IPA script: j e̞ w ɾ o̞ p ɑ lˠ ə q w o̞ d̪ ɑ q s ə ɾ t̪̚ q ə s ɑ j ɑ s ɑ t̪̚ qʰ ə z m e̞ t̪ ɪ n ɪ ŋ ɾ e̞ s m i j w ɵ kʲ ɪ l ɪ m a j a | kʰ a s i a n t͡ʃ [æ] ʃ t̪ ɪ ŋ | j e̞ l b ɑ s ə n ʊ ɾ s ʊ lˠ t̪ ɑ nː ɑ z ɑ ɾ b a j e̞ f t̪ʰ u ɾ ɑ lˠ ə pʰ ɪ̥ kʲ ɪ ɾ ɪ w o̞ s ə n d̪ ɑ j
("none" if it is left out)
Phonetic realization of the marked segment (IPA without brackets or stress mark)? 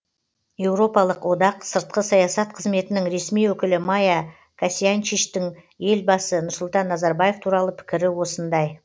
i